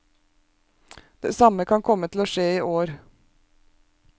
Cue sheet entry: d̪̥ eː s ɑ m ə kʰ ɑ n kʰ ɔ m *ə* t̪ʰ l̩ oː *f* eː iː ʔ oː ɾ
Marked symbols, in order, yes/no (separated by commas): yes, no